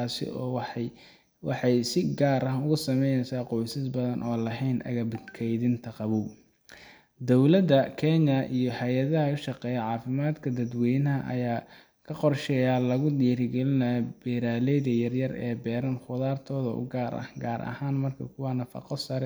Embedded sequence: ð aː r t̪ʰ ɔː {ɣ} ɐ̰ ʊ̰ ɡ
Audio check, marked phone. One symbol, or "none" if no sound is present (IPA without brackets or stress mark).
ð